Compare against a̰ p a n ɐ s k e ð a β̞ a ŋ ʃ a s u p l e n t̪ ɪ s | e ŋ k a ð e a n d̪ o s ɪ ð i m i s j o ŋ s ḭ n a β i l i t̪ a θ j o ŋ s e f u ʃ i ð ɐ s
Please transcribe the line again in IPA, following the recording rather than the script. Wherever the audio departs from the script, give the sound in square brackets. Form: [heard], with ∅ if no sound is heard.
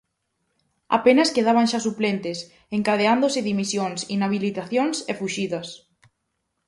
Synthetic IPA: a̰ p [e] n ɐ s k e ð a β̞ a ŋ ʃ a s u p l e n t̪ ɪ s | e ŋ k a ð e a n d̪ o s ɪ ð i m i s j o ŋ s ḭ n a β i l i t̪ a θ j o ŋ s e f u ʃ i ð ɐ s